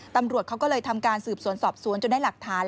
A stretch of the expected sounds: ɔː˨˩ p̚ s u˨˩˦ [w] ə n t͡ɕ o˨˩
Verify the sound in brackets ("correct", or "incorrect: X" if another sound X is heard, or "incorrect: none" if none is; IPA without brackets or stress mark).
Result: incorrect: none